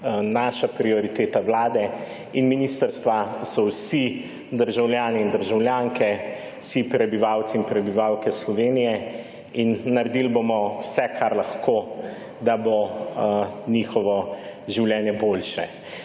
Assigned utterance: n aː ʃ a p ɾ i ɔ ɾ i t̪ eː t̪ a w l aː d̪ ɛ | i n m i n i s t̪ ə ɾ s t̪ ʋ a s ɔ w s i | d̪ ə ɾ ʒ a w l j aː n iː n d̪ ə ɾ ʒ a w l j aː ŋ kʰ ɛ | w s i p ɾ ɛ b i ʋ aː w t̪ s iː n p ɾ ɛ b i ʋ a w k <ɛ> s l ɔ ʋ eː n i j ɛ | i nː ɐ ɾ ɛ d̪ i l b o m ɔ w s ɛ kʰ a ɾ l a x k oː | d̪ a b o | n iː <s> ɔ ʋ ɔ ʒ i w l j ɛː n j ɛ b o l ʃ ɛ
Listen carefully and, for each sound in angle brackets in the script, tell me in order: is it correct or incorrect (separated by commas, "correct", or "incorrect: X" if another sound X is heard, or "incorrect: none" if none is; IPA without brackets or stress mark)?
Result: correct, incorrect: x